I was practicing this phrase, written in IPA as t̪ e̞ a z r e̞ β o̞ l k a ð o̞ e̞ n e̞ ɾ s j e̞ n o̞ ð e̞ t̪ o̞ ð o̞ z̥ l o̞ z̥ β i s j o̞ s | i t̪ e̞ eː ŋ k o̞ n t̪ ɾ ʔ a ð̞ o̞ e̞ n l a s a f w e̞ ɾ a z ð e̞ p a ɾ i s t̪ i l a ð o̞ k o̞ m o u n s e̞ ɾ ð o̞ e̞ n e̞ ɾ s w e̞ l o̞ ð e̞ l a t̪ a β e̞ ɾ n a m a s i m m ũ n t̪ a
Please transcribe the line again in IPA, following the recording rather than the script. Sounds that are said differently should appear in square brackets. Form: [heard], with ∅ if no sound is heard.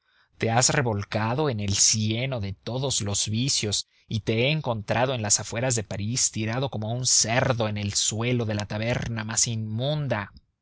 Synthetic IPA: t̪ e̞ a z r e̞ β o̞ l k a ð o̞ e̞ n e̞ [l] s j e̞ n o̞ ð e̞ t̪ o̞ ð o̞ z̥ l o̞ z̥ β i s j o̞ s | i t̪ e̞ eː ŋ k o̞ n t̪ ɾ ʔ a ð̞ o̞ e̞ n l a s a f w e̞ ɾ a z ð e̞ p a ɾ i s t̪ i [ɾ] a ð o̞ k o̞ m o u n s e̞ ɾ ð o̞ e̞ n e̞ [l] s w e̞ l o̞ ð e̞ l a t̪ a β e̞ ɾ n a m a s i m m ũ n [d̪] a